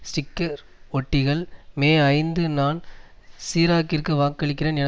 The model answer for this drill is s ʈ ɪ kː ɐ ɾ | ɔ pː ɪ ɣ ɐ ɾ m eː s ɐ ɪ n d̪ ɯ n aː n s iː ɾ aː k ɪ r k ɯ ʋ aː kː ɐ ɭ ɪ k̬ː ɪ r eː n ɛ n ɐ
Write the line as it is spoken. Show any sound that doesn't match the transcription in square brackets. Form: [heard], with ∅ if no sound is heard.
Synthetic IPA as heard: s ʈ ɪ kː ɐ ɾ | ɔ [ʈː] ɪ ɣ ɐ [ɭ] m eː [∅] ɐ ɪ n d̪ ɯ n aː n s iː ɾ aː k ɪ r k ɯ ʋ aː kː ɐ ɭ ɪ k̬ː ɪ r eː n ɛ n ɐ